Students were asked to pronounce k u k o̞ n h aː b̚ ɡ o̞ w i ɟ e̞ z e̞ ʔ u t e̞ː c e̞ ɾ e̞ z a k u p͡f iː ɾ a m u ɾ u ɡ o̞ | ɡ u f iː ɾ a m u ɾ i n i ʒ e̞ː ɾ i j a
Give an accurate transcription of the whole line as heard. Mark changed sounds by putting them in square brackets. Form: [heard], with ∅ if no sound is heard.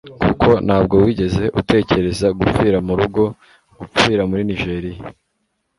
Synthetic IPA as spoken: k u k o̞ n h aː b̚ ɡ o̞ w i ɟ e̞ z e̞ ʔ u t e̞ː c e̞ ɾ e̞ z a [ɡ] u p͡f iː ɾ a m u ɾ u ɡ o̞ | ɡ u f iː ɾ a m u ɾ i n i ʒ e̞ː ɾ i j a